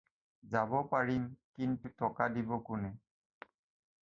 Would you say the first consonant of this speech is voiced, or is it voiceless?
voiced